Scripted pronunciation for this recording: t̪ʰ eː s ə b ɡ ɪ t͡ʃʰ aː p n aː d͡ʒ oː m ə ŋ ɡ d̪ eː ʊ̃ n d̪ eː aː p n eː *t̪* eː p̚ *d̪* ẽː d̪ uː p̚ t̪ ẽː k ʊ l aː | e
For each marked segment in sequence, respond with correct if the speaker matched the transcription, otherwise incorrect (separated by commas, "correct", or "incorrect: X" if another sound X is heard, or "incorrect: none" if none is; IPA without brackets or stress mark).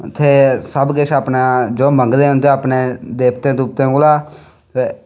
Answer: incorrect: d̪, incorrect: t̪